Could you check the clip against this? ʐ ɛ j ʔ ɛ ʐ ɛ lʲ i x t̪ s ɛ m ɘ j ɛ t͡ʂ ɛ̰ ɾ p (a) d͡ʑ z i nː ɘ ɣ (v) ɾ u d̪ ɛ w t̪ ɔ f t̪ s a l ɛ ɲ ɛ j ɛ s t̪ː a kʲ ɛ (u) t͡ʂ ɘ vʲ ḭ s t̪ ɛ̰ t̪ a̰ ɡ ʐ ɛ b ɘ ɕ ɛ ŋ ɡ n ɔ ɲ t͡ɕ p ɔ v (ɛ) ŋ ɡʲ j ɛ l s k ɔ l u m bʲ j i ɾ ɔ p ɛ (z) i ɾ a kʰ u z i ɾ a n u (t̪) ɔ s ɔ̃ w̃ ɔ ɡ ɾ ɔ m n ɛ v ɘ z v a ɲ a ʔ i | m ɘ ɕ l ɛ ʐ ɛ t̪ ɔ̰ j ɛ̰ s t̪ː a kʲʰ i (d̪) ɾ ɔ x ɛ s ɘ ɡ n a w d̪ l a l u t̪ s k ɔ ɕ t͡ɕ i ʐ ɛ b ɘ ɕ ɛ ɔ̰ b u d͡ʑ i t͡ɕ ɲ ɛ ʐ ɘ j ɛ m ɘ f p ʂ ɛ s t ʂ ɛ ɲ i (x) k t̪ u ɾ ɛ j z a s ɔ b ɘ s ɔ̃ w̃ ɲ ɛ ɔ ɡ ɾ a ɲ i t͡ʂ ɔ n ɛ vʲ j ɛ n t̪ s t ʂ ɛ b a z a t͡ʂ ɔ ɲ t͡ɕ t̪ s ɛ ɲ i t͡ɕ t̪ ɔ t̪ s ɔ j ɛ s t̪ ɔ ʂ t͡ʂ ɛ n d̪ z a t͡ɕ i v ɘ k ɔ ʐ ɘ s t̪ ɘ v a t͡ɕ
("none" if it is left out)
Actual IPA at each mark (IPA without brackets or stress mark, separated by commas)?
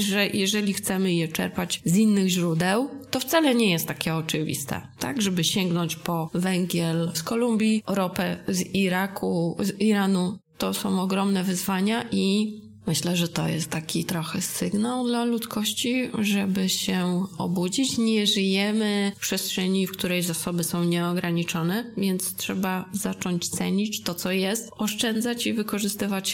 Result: a, ʑ, ɔ, ɛ, z, t̪, t̪, f